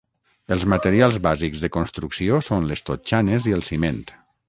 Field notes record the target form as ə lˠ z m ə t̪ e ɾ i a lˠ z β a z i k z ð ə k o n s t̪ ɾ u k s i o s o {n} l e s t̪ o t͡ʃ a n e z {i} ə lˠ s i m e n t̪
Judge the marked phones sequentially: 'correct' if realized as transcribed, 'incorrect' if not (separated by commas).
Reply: correct, correct